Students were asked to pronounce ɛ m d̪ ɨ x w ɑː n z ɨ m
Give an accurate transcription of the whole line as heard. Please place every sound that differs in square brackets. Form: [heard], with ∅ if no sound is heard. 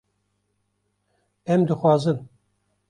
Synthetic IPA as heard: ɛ m d̪ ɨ x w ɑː [∅] z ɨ [n]

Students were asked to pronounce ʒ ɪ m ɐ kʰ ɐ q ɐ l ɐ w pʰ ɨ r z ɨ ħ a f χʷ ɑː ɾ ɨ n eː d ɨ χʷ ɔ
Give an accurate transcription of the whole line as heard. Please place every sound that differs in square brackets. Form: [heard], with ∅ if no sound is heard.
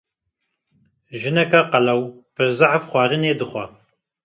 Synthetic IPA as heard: ʒ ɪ [n] ɐ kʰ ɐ q ɐ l ɐ w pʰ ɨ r z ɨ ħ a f χʷ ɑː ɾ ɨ n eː d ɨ χʷ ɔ

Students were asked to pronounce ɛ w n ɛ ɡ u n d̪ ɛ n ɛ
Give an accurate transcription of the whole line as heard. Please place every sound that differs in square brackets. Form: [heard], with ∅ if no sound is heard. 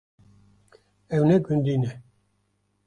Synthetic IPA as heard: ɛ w n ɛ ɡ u n d̪ [i] n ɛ

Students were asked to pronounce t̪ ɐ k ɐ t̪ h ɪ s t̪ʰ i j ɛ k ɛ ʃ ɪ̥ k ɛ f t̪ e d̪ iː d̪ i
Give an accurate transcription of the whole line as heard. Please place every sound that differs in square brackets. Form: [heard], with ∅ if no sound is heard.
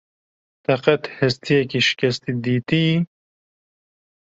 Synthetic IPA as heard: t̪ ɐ [q] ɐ t̪ h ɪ s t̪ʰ i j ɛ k [i] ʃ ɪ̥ k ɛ [s] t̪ [i] d̪ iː [t̪] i

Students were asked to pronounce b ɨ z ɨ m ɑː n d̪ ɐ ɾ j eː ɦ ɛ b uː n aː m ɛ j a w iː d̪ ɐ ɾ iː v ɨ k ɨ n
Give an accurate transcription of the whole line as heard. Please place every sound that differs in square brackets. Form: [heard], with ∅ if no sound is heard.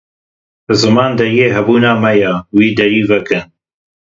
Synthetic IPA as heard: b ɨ z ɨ m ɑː n d̪ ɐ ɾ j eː ɦ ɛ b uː n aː m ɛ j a w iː d̪ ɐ ɾ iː v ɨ k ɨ n

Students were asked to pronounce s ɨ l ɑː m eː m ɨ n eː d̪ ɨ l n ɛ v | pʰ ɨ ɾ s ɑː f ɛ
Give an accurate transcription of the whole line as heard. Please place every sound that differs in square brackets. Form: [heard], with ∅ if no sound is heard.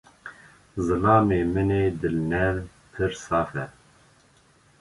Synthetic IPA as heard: [z] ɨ l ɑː m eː m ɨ n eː d̪ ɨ l n ɛ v | pʰ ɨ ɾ s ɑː f ɛ

